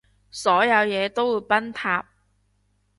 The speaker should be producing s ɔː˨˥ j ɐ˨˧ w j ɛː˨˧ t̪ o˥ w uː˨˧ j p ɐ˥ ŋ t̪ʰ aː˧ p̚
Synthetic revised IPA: s ɔː˨˥ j ɐ˨˧ w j ɛː˨˧ t̪ o˥ w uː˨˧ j p ɐ˥ n t̪ʰ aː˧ p̚